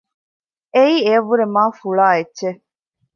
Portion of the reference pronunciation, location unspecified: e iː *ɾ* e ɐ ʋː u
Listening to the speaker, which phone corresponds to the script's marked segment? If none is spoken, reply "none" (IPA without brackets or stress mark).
none